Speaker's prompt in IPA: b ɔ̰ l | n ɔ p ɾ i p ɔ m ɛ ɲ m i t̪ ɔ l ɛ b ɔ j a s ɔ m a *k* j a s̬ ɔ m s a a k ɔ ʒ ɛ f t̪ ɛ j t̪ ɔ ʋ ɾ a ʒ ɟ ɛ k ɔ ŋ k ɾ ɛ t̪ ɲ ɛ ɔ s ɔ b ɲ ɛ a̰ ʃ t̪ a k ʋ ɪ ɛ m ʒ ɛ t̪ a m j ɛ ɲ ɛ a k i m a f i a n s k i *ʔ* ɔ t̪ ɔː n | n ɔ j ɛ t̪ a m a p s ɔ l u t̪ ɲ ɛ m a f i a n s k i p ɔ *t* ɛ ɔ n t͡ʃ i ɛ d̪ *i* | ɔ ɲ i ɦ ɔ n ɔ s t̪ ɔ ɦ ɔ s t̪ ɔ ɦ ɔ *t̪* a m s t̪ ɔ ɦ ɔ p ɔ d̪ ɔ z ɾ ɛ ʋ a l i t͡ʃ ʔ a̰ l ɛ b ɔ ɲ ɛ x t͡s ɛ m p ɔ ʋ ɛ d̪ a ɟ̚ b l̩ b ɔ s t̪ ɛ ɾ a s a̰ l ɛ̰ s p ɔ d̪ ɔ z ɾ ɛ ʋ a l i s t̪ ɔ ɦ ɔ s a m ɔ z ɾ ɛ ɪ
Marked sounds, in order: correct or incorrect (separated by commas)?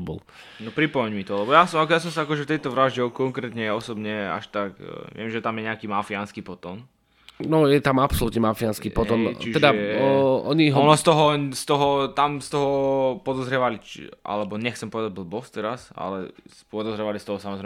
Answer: correct, incorrect, correct, incorrect, correct